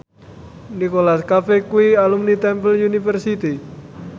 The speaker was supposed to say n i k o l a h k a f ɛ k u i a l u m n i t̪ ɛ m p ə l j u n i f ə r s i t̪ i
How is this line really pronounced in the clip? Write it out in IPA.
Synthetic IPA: n i k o l a s k a f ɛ k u i a l u m n i t̪ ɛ m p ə l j u n i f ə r s i t̪ i